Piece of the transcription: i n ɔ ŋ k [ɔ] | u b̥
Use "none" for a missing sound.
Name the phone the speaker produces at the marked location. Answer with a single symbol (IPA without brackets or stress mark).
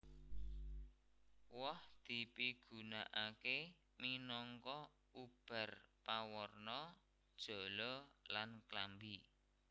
ɔ